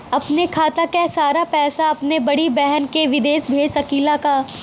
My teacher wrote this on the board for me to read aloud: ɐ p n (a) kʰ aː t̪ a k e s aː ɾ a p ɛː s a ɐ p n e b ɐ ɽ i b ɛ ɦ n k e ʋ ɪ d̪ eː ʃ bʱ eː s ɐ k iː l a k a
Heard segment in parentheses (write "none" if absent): e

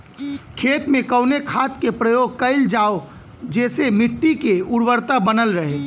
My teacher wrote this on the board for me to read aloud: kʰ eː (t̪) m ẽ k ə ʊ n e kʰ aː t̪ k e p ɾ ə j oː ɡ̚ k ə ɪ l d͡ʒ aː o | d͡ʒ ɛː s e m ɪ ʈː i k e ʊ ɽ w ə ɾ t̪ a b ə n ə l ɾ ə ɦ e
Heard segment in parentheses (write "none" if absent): t̪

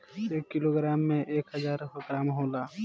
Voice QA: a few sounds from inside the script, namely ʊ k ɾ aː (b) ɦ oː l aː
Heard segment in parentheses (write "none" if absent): m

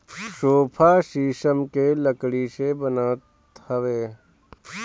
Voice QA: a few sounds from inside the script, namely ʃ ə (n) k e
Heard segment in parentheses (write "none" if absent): m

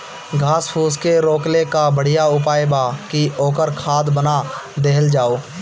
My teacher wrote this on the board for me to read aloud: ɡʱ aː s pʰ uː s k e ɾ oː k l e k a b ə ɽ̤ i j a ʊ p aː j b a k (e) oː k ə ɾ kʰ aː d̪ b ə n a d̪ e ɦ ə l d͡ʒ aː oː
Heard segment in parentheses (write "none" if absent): i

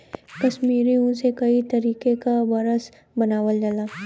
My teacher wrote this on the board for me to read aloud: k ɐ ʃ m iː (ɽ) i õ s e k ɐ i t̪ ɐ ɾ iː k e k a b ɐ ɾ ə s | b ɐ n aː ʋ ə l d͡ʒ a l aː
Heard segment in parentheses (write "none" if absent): ɾ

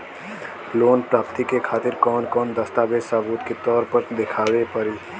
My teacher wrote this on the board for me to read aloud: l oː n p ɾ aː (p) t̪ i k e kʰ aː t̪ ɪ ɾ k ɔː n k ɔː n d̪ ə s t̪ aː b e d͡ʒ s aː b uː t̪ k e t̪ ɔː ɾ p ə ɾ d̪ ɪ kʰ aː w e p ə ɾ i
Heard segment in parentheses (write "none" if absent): p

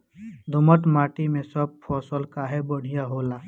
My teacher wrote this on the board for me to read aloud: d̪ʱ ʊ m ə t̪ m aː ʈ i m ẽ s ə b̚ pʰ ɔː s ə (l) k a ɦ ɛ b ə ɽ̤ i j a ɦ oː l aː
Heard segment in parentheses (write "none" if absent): l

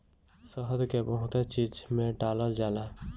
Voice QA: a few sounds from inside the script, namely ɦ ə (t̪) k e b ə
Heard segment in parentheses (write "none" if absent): d̪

